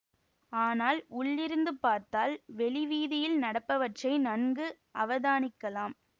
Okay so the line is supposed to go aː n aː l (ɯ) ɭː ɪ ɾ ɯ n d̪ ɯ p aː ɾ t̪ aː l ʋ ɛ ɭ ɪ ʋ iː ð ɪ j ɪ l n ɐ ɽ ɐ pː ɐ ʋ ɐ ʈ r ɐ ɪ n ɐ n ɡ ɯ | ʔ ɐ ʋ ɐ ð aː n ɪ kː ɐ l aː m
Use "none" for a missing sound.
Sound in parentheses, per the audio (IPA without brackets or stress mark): ʊ